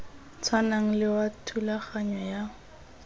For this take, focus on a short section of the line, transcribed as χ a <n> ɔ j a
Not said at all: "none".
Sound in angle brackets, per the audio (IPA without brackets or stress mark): ɲ